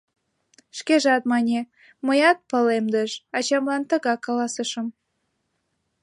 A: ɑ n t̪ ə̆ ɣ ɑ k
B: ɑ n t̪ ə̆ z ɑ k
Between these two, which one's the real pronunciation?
A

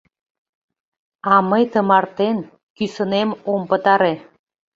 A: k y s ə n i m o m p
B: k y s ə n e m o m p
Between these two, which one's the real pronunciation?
B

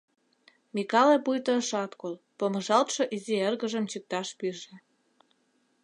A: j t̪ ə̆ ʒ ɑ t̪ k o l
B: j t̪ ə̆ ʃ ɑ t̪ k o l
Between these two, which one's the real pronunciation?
B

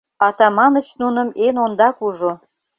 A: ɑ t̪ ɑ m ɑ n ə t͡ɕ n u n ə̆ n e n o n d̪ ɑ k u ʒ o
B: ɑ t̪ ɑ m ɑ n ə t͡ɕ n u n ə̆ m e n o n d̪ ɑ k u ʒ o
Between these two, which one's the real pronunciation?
B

